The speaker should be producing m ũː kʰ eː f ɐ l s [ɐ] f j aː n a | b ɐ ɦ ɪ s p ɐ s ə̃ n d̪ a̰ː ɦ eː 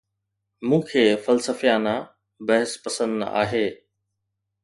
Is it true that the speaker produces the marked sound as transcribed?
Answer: no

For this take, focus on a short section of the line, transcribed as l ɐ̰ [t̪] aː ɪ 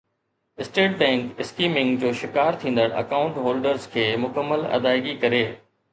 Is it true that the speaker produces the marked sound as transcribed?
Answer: no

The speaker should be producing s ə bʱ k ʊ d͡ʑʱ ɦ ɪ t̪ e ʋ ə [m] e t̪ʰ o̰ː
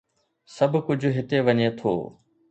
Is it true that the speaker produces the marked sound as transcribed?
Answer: no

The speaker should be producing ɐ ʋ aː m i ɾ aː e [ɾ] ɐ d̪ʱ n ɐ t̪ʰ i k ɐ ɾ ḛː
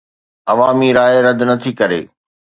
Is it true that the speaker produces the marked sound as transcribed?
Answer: yes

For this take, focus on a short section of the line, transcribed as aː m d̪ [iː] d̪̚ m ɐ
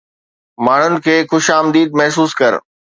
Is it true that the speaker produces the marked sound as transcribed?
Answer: yes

